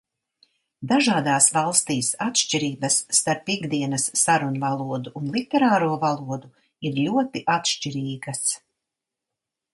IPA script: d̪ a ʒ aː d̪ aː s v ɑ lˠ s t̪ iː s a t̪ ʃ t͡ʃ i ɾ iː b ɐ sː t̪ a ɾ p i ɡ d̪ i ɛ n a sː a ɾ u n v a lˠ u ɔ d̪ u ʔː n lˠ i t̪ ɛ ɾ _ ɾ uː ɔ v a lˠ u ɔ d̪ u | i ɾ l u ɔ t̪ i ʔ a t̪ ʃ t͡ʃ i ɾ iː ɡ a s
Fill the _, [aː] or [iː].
aː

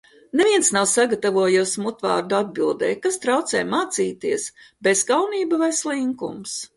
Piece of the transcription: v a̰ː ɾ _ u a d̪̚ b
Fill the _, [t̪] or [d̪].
d̪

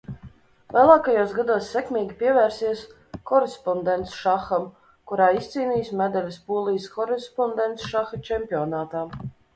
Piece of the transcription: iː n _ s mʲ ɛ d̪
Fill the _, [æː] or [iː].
iː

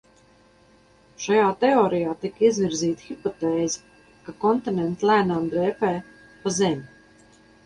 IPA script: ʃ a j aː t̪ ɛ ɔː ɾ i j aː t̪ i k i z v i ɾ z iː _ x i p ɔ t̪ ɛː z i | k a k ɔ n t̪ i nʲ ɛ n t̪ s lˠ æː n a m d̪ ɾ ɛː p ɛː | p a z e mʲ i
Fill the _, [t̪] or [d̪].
t̪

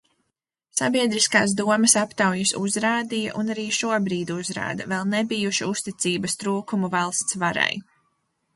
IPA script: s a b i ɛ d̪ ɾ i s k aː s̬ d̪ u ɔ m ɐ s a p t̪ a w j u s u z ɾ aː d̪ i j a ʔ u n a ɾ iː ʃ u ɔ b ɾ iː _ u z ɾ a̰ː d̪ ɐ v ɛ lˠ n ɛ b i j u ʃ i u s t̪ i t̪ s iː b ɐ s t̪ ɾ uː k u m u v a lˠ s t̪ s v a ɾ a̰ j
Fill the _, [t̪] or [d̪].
d̪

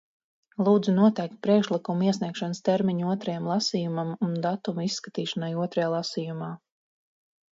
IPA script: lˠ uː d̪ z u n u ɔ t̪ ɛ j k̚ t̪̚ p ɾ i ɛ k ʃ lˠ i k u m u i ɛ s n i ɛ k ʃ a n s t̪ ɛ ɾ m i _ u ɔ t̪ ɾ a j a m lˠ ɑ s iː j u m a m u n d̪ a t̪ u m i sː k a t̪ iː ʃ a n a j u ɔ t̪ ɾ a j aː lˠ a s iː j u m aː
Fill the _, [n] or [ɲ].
ɲ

